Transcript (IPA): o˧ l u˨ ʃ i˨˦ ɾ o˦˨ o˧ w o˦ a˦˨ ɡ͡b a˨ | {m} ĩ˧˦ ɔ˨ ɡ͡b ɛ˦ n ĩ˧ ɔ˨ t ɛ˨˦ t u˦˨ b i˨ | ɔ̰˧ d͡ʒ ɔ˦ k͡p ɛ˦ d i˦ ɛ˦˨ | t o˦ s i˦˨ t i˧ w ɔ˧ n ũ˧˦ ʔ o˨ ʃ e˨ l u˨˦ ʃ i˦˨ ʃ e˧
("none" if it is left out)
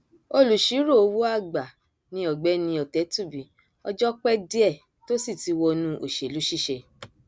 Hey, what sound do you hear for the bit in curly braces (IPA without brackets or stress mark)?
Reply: n